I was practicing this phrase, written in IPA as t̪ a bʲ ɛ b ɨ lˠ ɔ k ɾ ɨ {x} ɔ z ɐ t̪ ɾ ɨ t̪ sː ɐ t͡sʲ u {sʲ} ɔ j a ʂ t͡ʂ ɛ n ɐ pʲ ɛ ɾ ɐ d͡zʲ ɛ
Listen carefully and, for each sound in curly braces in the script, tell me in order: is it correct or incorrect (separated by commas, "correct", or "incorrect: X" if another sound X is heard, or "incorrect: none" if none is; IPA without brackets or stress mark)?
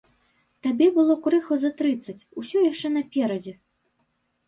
correct, correct